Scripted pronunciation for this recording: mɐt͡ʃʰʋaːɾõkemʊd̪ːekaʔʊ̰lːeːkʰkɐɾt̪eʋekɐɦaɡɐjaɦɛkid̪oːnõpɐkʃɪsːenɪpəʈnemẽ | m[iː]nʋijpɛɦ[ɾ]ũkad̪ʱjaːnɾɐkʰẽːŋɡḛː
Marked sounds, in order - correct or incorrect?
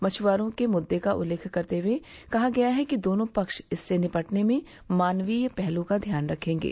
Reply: incorrect: aː, incorrect: l

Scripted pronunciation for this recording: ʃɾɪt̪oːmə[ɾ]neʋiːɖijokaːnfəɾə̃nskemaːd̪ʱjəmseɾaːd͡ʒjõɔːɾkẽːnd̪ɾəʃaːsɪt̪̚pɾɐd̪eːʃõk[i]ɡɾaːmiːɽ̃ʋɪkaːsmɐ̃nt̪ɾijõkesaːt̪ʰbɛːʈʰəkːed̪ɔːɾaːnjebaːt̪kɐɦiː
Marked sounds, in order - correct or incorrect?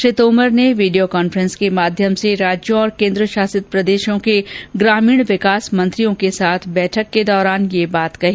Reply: correct, incorrect: e

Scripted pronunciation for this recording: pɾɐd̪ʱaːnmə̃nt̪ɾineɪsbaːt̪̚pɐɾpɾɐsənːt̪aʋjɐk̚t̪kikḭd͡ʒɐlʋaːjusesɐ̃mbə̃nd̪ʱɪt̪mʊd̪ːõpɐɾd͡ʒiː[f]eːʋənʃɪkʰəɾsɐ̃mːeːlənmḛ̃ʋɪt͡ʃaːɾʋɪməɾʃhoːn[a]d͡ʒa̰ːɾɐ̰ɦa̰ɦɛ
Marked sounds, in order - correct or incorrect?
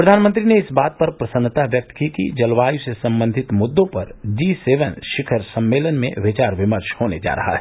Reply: incorrect: s, incorrect: e

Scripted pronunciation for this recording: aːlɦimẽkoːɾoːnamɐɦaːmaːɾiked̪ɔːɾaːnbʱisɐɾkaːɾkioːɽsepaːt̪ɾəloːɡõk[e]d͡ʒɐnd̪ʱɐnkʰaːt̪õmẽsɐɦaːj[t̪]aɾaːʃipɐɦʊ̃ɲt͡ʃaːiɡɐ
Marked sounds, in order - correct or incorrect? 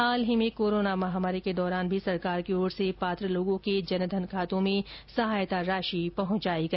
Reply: correct, correct

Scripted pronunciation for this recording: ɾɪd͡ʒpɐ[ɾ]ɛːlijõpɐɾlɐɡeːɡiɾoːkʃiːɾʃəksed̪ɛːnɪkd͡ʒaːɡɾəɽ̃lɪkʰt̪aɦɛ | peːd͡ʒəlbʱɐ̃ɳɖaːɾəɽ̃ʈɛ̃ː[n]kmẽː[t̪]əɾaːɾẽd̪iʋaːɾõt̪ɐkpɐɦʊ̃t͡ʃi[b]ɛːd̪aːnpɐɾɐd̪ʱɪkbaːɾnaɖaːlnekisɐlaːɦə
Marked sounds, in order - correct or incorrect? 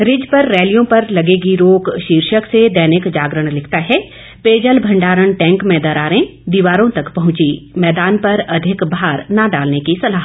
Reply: incorrect: ɾː, incorrect: ŋ, incorrect: d̪, incorrect: m

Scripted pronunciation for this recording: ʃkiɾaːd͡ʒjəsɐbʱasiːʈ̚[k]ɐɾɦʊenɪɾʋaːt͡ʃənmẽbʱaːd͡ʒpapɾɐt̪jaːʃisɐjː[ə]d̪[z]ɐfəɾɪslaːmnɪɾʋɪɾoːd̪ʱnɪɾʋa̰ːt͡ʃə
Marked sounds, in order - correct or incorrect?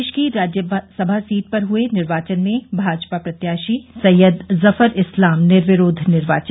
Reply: incorrect: p, correct, correct

